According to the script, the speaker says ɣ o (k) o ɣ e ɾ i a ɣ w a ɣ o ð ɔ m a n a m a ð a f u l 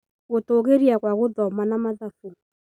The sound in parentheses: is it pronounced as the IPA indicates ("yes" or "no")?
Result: no